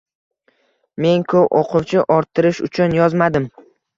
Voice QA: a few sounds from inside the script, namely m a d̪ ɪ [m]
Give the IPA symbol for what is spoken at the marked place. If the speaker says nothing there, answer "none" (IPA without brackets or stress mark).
m